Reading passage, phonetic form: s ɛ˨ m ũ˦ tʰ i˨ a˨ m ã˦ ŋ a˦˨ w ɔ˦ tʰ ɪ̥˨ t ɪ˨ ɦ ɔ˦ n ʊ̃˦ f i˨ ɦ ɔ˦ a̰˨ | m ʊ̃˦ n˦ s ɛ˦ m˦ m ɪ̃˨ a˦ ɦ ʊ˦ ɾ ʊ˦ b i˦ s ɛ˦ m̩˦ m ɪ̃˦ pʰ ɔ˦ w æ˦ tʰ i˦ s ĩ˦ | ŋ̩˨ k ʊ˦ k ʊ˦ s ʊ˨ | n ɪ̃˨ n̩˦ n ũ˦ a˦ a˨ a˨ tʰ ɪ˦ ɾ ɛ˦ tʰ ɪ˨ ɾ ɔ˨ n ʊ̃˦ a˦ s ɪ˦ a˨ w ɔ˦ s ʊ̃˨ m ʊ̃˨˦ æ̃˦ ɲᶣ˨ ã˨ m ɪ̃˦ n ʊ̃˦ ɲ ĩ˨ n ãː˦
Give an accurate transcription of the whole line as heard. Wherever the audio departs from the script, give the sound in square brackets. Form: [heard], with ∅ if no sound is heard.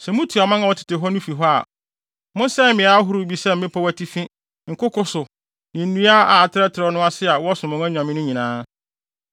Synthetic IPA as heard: s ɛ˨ m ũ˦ tʰ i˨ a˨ m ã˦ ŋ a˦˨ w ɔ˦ tʰ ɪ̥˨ t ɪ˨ ɦ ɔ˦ n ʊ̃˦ f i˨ ɦ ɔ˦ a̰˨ | m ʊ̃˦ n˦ s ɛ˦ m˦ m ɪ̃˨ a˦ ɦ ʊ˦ ɾ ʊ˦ b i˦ s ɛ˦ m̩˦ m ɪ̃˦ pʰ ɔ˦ w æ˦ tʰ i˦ [f] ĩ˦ | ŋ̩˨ k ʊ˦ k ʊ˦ s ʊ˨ | n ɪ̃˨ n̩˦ n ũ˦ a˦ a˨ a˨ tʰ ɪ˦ ɾ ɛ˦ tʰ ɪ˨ ɾ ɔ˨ n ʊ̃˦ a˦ s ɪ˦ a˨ w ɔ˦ s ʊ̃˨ m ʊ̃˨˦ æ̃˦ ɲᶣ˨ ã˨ m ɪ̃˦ n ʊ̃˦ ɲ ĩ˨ n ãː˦